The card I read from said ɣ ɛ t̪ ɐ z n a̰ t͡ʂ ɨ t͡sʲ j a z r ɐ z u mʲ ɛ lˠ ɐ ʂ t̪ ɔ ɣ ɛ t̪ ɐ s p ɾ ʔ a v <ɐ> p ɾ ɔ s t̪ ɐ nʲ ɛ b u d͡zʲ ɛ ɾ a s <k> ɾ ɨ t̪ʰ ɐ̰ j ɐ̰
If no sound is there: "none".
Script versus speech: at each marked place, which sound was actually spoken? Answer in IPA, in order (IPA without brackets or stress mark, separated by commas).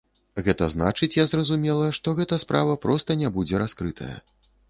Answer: ɐ, k